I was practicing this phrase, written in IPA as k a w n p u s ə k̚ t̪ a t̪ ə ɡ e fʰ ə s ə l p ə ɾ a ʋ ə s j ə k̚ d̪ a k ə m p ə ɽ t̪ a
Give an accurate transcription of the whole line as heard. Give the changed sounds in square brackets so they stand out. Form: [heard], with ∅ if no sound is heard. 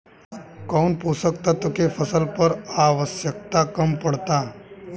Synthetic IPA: k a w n p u s ə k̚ t̪ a t̪ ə [k] e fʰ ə s ə l p ə ɾ a ʋ ə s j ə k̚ [t̪] a k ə m p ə ɽ t̪ a